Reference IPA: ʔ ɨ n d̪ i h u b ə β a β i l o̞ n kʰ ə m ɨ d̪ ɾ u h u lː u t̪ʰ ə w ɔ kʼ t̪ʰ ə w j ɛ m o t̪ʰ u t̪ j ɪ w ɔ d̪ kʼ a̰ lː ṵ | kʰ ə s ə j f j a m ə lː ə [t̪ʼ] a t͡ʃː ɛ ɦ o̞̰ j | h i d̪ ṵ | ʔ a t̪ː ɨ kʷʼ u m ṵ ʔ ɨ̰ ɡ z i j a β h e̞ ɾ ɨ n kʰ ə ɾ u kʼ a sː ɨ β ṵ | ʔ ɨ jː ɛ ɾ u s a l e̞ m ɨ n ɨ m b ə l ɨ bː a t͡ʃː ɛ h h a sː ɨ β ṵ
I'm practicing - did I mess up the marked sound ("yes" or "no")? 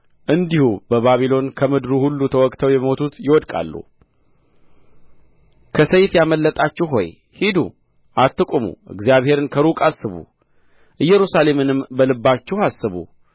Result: no